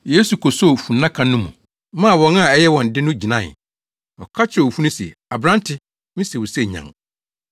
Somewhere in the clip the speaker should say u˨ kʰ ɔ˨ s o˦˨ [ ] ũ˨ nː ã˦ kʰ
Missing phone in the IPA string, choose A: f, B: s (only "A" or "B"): A